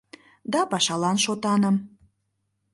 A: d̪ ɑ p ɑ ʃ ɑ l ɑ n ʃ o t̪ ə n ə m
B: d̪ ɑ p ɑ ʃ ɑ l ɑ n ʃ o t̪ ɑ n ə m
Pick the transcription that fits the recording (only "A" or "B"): B